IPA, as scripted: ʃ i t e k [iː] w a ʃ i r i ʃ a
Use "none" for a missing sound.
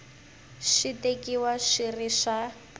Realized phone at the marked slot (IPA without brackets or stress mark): i